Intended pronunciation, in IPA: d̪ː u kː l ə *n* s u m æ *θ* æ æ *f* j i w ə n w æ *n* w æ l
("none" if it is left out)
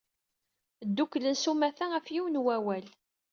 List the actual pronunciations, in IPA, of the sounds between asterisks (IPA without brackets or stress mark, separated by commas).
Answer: n, θ, f, none